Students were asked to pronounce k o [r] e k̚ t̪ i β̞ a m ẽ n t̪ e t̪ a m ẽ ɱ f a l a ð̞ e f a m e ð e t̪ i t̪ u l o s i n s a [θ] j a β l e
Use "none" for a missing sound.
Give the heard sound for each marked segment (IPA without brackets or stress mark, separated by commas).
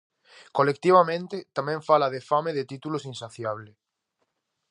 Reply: l, θ